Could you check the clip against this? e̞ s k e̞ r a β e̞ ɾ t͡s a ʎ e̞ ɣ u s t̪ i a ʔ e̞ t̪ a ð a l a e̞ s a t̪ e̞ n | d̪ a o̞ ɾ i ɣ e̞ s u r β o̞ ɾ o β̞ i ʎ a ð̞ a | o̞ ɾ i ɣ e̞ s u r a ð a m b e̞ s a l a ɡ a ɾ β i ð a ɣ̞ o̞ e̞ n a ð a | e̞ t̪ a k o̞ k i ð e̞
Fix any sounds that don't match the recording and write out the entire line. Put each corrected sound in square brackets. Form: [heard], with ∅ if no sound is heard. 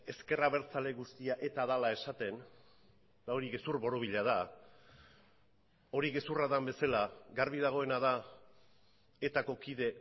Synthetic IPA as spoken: e̞ s k e̞ r a β e̞ ɾ t͡s a [l] e̞ ɣ u s t̪ i a ʔ e̞ t̪ a ð a l a e̞ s a t̪ e̞ n | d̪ a o̞ ɾ i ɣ e̞ s u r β o̞ ɾ o β̞ i ʎ a ð̞ a | o̞ ɾ i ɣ e̞ s u r a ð a m b e̞ s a l a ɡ a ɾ β i ð a ɣ̞ o̞ e̞ n a ð a | e̞ t̪ a k o̞ k i ð e̞